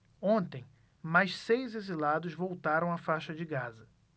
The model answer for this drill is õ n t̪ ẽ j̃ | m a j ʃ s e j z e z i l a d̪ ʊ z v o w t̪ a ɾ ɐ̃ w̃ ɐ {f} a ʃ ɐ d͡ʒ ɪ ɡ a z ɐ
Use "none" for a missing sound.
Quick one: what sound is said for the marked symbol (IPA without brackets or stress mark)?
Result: f